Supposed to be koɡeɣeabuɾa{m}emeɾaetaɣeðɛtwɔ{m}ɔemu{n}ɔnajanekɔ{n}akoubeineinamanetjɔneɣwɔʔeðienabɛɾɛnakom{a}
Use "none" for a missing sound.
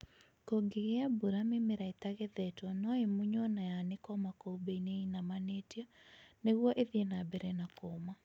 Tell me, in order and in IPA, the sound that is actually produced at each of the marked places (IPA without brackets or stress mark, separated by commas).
m, n, ɲ, m, a